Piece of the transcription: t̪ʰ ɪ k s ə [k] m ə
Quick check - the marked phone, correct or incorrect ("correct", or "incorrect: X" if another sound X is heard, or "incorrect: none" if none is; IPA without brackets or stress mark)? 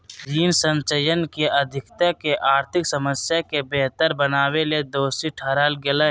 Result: incorrect: none